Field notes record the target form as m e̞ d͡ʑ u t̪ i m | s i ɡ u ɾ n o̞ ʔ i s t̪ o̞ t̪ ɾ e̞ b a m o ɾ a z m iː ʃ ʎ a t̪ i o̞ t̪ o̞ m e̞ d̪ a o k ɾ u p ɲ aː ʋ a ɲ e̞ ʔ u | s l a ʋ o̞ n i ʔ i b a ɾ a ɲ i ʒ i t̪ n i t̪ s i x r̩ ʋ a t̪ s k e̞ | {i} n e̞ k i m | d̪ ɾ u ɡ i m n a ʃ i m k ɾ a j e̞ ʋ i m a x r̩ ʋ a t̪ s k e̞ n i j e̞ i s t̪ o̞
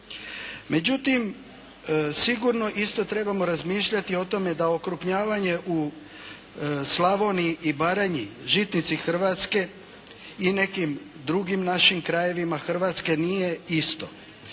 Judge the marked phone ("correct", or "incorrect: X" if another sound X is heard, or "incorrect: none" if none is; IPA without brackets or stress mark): correct